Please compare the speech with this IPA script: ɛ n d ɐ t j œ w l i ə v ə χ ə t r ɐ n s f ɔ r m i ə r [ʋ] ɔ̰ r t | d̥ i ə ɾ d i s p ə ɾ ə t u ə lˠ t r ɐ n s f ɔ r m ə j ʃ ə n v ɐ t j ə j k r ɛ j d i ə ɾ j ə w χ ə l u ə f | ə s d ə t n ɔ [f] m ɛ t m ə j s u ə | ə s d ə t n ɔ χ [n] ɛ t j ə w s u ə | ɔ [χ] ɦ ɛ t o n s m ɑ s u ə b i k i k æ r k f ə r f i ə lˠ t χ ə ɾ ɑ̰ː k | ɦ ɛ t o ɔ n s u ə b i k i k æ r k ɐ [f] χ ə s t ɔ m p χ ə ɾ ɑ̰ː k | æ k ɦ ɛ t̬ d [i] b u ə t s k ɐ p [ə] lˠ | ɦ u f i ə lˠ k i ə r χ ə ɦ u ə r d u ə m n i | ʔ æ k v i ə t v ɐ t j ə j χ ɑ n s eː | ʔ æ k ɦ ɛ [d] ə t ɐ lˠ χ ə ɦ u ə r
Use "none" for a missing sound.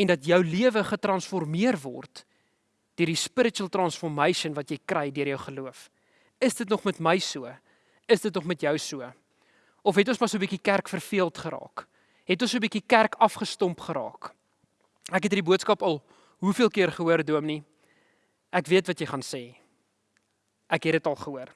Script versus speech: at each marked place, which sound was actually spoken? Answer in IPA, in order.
v, χ, m, f, f, i, ɐ, d

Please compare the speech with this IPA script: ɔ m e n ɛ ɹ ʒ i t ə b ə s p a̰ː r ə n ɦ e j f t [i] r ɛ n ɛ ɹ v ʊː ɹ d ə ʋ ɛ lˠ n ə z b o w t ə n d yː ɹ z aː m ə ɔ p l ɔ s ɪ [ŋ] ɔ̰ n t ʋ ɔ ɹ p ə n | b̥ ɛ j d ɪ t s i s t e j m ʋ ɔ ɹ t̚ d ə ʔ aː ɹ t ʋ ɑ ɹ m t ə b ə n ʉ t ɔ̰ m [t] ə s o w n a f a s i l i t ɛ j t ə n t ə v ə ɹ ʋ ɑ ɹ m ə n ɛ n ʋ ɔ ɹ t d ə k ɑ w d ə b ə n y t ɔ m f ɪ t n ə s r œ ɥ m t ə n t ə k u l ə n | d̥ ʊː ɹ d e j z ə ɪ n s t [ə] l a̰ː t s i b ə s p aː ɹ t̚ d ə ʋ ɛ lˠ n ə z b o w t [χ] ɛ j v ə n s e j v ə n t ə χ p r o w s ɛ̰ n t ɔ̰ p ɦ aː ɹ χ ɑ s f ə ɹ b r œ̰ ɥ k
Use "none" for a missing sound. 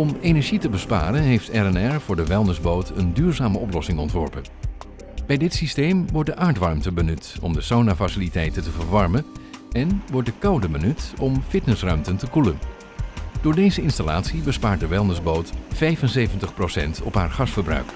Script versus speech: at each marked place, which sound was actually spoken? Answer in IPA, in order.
ɛ, ŋ, d, a, f

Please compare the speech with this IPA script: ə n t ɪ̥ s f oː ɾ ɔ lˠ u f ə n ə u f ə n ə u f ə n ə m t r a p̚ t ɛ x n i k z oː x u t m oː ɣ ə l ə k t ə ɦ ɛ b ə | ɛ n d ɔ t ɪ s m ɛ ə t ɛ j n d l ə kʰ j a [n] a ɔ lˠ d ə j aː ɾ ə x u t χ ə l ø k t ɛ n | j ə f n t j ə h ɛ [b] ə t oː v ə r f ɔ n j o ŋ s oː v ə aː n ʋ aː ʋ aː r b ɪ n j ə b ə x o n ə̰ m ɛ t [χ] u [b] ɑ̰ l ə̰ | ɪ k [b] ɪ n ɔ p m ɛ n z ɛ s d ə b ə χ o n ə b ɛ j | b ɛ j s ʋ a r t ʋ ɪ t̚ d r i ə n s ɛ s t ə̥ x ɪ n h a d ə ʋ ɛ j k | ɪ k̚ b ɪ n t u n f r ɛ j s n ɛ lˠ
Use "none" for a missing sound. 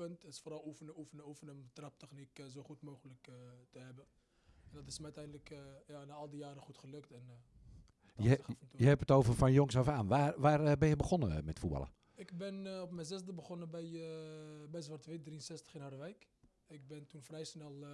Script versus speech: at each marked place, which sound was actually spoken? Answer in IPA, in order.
n, p, f, b, b

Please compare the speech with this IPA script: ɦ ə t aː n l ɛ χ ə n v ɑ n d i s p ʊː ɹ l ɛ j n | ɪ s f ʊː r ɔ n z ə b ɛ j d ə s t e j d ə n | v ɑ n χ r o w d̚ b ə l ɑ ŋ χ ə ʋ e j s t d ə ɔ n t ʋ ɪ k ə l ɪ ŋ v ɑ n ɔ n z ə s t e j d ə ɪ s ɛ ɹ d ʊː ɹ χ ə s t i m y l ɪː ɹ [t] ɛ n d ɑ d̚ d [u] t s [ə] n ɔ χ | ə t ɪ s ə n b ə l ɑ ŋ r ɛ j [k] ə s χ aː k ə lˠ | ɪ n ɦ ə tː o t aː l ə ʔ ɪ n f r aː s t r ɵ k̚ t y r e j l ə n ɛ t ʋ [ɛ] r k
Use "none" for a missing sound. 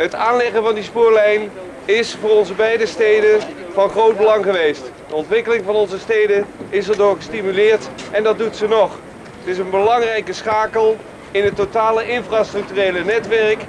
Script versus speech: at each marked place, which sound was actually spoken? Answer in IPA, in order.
t, u, ə, k, ɛ

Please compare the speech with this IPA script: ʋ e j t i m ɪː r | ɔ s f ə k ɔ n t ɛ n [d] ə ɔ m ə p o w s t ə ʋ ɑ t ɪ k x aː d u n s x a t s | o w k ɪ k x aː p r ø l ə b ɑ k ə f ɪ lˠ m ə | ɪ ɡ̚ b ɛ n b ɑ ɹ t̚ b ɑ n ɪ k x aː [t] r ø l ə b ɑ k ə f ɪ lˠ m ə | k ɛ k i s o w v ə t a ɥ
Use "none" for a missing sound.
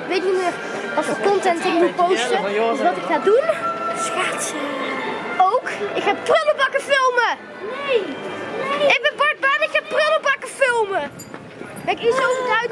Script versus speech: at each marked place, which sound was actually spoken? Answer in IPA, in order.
t, p

